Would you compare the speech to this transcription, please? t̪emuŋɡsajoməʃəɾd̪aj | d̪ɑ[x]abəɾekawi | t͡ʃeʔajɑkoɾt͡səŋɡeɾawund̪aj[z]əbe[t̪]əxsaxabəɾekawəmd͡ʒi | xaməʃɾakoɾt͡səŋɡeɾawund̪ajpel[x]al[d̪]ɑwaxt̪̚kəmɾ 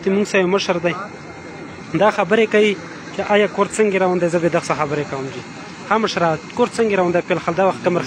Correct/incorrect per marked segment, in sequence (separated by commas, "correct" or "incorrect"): correct, correct, incorrect, correct, correct